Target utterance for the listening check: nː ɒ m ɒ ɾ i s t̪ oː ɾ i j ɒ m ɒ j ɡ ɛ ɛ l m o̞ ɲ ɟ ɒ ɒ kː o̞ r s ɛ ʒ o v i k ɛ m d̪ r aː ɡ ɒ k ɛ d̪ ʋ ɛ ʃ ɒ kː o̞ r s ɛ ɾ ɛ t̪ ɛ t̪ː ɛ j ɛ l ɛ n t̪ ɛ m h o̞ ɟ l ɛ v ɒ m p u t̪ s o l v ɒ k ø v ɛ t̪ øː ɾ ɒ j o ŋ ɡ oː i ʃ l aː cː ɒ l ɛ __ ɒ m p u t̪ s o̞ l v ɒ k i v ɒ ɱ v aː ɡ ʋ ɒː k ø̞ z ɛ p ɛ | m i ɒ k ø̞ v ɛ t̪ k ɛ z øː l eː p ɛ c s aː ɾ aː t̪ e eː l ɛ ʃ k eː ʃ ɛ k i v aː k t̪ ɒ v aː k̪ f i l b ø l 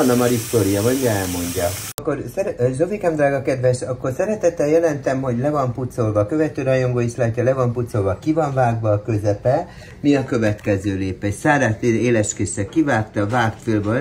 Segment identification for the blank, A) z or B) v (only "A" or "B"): B